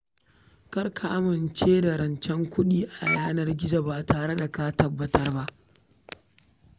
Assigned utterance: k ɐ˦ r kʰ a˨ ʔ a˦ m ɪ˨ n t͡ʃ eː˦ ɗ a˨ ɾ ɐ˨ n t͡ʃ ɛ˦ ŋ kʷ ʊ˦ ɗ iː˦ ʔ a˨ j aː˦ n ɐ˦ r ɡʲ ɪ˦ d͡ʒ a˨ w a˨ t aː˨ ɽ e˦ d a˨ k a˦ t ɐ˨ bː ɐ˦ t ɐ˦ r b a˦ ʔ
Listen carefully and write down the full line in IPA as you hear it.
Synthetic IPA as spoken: k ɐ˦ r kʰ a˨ ʔ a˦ m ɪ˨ n t͡ʃ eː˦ d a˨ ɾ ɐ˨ n t͡ʃ ɛ˦ ŋ kʷ ʊ˦ ɗ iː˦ ʔ a˨ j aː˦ n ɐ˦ r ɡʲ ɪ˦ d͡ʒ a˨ b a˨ t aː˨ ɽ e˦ d a˨ k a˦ t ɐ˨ bː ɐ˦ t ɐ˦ r b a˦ ʔ